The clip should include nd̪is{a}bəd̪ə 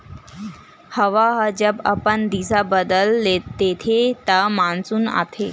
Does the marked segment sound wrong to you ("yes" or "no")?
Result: no